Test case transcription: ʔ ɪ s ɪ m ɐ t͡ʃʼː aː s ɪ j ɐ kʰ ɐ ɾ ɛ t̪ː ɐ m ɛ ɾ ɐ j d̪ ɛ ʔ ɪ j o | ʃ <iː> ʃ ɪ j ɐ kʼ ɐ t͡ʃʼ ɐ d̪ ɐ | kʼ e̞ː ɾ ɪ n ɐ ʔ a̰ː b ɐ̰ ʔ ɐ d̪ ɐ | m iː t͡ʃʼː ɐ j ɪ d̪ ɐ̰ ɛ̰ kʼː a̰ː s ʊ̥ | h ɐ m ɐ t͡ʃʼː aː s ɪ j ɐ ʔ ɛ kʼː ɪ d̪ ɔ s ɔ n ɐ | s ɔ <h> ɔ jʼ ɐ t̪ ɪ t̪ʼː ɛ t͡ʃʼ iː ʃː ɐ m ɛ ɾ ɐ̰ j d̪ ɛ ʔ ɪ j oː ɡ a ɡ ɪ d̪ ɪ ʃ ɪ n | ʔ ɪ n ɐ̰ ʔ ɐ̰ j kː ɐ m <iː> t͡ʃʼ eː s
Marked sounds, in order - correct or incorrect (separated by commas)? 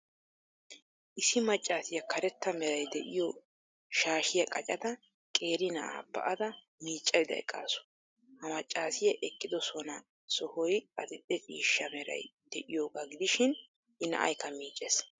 incorrect, correct, correct